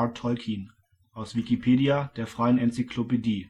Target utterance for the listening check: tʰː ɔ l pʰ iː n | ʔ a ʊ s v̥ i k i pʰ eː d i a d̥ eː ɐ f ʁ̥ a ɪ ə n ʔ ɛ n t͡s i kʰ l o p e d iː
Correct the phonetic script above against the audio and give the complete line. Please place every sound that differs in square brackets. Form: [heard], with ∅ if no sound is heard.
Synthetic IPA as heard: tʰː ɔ l [kʰ] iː n | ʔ a ʊ s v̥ i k i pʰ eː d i a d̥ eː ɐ f ʁ̥ a ɪ ə n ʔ ɛ n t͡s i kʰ l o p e d iː